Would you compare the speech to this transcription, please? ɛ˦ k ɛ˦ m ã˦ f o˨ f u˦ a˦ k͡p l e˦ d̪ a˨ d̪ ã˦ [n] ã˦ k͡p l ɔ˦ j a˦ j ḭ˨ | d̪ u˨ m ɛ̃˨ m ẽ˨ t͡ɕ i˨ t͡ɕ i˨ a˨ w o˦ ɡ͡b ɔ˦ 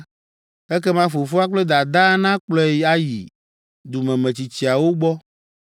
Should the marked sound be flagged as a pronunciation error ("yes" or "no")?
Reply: no